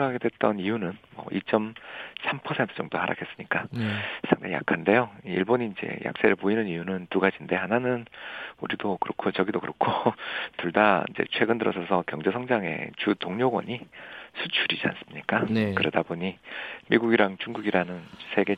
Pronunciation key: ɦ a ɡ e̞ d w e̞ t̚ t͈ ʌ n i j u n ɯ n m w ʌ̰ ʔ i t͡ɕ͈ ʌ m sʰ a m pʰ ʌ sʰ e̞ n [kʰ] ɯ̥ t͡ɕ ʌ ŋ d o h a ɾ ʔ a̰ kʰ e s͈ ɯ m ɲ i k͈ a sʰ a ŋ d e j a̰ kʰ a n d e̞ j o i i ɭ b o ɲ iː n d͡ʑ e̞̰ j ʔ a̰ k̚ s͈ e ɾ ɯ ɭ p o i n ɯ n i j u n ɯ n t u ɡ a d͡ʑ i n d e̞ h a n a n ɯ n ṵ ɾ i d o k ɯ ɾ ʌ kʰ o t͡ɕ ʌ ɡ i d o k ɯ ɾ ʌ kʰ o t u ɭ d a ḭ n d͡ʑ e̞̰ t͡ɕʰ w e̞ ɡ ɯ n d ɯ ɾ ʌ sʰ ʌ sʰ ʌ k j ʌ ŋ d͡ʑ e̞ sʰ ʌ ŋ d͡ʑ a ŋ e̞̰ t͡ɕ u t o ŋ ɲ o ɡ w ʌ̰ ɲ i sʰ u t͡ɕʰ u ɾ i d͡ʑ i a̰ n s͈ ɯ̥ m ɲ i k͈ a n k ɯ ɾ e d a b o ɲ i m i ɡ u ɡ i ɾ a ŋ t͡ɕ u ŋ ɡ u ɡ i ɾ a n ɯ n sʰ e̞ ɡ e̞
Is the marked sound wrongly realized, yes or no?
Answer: yes